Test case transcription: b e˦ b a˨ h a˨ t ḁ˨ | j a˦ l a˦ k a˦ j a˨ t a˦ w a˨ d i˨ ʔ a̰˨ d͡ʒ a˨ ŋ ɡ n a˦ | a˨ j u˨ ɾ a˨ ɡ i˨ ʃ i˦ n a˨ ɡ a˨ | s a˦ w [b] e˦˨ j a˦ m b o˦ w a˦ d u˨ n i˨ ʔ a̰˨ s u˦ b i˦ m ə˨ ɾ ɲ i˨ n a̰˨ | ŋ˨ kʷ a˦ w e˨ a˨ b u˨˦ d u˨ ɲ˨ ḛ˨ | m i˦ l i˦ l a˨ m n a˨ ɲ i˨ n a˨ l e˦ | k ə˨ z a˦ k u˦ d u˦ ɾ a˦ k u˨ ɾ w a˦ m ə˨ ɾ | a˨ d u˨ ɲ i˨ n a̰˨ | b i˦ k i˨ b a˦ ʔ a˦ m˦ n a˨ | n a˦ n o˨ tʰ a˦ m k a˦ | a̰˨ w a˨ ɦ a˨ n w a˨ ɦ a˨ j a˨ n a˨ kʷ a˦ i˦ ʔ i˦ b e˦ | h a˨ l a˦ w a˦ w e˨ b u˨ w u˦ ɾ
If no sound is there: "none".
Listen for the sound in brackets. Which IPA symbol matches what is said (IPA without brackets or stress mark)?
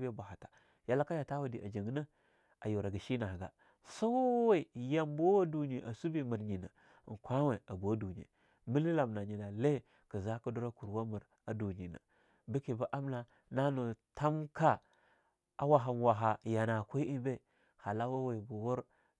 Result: w